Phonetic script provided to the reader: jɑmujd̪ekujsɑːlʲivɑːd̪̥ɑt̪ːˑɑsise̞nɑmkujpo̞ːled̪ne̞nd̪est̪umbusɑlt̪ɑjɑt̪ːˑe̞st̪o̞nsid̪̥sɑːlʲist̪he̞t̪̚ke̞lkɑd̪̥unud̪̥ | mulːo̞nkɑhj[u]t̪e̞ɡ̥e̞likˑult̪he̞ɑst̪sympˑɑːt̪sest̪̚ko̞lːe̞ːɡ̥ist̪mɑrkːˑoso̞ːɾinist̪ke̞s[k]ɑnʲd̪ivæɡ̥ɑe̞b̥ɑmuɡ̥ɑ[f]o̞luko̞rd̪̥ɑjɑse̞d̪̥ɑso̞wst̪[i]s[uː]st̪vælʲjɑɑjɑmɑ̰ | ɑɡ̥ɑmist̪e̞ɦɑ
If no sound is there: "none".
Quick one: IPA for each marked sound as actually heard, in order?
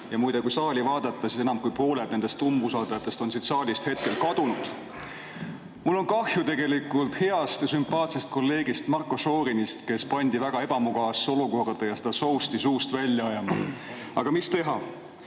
u, p, s, i, uː

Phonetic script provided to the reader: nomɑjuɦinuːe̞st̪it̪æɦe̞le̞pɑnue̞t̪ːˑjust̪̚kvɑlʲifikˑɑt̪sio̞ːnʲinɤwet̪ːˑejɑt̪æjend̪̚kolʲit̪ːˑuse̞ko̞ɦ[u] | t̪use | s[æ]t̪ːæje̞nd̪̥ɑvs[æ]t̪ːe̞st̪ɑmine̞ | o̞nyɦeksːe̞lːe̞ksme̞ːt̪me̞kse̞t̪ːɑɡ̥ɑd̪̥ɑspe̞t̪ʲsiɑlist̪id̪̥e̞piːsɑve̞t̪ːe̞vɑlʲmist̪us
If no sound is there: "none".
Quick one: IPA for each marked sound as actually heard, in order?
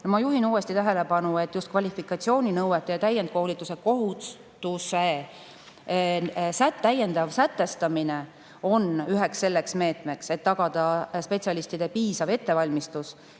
u, æ, æ

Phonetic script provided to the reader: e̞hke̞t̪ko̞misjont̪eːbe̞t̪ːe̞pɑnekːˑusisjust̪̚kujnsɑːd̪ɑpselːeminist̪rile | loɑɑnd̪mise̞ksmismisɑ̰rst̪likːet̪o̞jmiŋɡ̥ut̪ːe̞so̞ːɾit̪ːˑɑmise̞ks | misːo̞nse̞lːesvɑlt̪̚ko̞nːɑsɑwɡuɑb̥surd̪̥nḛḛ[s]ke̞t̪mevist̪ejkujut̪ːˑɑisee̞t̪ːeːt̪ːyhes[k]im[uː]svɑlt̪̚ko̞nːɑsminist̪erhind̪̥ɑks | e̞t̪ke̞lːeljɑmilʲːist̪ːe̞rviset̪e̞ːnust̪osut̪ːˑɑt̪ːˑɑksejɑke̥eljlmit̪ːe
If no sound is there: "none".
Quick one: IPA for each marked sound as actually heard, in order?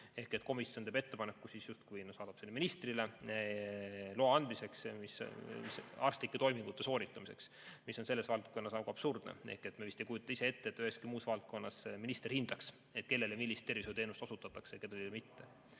h, k, uː

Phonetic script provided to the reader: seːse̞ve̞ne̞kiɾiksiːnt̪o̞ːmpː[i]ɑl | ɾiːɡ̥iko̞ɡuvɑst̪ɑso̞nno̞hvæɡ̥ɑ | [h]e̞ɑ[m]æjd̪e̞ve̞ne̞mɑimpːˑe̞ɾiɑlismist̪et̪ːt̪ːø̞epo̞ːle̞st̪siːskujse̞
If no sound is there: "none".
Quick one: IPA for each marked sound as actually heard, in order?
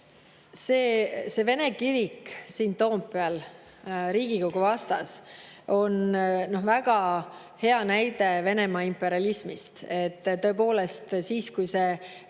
e, h, n

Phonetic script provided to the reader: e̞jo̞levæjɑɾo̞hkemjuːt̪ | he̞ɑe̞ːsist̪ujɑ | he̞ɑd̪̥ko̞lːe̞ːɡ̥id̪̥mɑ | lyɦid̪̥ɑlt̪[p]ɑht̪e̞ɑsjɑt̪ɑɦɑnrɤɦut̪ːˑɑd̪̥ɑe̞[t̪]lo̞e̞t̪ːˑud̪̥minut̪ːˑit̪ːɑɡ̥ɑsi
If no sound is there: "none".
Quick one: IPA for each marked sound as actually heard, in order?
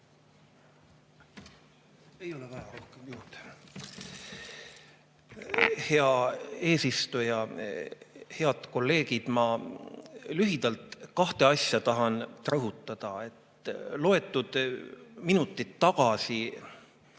k, t̪

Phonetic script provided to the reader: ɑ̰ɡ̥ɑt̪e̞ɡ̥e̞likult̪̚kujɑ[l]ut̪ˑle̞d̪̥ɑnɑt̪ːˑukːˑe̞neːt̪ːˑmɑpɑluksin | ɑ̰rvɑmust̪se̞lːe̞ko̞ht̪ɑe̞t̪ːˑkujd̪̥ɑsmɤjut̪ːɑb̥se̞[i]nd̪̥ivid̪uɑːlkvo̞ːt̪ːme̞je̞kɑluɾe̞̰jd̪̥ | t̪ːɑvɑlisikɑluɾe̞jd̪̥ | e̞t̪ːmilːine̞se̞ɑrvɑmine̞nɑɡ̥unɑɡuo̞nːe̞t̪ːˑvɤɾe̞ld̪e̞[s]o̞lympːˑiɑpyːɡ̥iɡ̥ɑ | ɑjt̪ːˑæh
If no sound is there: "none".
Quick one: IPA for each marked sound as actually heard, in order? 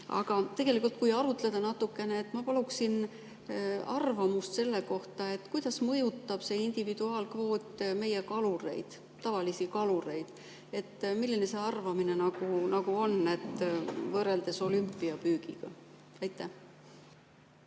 ɾ, i, s

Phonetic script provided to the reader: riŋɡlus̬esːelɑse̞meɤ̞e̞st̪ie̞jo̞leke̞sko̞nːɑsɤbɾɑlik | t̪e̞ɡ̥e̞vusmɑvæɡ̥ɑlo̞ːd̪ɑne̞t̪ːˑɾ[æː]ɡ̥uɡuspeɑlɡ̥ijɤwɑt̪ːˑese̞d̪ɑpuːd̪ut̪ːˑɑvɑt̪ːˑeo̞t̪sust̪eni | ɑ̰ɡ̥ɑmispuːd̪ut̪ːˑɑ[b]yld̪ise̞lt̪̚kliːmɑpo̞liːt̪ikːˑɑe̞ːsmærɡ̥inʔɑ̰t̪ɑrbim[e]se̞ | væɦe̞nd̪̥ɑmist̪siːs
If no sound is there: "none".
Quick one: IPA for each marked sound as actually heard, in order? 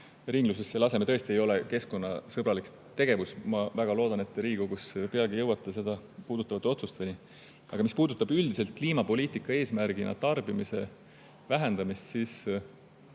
iː, b, i

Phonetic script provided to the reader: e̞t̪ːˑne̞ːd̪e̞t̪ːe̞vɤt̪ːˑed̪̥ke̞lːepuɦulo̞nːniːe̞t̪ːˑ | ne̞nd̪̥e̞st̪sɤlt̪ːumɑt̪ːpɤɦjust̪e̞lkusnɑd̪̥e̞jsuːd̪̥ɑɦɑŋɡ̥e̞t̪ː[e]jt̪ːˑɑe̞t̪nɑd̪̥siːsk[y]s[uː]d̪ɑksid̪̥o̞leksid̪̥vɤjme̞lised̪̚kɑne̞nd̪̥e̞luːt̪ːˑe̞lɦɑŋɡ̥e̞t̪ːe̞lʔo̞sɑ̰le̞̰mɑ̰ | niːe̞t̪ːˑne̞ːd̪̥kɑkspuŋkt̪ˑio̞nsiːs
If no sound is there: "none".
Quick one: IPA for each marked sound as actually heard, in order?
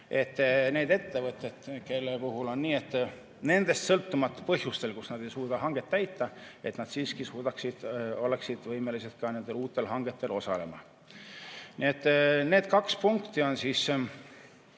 æ, i, uː

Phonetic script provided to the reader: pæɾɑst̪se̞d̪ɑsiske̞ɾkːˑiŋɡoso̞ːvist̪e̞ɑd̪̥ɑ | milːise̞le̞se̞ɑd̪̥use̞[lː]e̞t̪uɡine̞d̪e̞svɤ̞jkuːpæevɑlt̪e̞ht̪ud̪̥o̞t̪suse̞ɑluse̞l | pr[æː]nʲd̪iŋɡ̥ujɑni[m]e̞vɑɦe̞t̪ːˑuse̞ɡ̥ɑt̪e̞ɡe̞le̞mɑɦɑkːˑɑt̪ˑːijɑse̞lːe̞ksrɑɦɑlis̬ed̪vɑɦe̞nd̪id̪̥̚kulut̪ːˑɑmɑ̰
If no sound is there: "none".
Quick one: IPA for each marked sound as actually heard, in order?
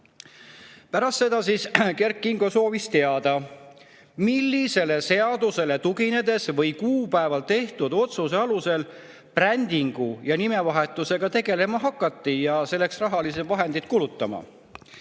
l, æ, m

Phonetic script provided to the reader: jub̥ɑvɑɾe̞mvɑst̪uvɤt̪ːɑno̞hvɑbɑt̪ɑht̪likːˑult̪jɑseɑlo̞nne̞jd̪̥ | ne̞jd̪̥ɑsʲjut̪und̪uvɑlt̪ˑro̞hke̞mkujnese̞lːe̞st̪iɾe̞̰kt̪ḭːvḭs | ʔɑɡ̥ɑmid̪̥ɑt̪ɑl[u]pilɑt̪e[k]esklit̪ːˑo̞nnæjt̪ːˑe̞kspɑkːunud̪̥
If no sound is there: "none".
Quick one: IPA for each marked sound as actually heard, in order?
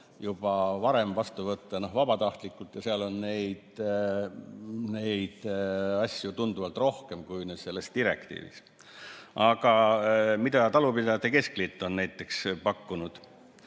u, k

